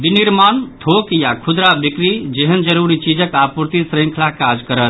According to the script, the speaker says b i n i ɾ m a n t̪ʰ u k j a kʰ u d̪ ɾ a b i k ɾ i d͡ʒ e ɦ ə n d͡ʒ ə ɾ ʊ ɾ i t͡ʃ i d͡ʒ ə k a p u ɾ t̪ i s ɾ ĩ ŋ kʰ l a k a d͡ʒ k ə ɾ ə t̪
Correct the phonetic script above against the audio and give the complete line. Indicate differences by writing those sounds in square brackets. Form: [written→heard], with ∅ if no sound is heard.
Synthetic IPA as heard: b i n i ɾ m a n t̪ʰ [u→o] k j a kʰ u d̪ ɾ a b i k ɾ i d͡ʒ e ɦ ə n d͡ʒ ə ɾ [ʊ→u] ɾ i t͡ʃ i d͡ʒ ə k a p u ɾ t̪ i s ɾ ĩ ŋ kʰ l a k a d͡ʒ k ə ɾ ə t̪